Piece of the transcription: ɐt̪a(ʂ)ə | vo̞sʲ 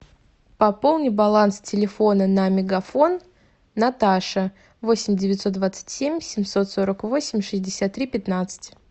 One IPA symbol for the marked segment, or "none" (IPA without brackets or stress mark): ʂ